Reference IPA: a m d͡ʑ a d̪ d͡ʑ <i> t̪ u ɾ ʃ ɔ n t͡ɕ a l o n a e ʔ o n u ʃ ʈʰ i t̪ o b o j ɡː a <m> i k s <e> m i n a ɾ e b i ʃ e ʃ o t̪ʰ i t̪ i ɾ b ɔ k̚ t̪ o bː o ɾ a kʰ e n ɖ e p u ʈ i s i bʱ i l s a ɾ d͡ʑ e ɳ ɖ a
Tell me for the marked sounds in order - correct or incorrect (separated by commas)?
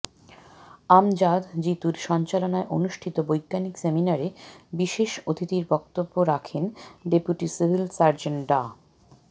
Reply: correct, incorrect, correct